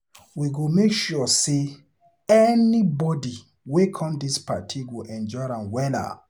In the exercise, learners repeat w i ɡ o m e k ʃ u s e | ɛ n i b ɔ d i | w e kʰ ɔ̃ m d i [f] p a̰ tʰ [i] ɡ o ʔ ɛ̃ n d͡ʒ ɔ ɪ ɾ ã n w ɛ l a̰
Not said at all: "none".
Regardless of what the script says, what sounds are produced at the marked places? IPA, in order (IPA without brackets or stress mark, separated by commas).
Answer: s, i